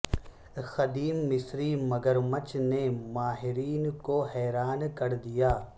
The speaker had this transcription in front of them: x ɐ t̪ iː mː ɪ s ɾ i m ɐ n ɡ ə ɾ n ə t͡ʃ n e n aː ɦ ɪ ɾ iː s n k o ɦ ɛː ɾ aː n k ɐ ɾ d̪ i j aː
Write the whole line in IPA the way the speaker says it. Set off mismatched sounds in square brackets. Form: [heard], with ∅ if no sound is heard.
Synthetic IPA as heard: x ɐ [d̪] iː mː ɪ s ɾ i m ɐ [∅] ɡ ə ɾ [m] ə t͡ʃ n e [m] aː ɦ ɪ ɾ iː [∅] n k o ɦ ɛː ɾ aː n k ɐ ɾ d̪ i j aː